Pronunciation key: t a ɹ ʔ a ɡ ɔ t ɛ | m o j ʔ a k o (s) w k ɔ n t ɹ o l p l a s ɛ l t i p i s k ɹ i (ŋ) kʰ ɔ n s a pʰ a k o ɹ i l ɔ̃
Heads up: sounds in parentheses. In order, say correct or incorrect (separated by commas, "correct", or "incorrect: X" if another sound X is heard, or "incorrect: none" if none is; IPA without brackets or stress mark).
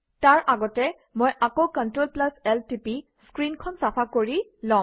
incorrect: none, incorrect: n